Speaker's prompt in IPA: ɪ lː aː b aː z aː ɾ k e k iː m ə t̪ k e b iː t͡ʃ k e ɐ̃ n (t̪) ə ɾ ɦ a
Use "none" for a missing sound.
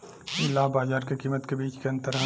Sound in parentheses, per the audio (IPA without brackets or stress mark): t̪